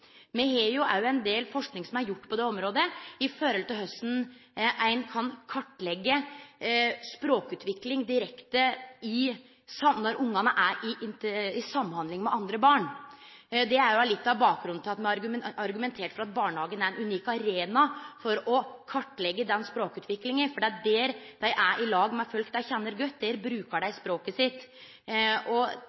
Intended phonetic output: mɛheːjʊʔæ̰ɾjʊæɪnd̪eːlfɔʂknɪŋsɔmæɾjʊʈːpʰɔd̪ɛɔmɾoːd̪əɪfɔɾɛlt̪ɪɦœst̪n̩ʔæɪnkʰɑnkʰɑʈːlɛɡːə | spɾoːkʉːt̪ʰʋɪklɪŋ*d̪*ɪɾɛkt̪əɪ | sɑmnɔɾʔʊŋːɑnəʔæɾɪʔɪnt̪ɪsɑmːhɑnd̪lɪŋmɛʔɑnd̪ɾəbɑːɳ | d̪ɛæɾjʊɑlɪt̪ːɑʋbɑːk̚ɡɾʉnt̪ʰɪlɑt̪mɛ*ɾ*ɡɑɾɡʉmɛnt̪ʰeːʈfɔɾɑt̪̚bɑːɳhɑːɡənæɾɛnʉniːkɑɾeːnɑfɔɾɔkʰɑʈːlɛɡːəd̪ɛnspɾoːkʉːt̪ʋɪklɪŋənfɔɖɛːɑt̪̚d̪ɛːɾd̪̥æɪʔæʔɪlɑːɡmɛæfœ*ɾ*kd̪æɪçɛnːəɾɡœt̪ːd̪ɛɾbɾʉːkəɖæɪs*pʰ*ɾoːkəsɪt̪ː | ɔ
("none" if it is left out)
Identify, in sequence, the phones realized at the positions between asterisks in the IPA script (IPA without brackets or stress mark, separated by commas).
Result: d̪, ɾ, l, p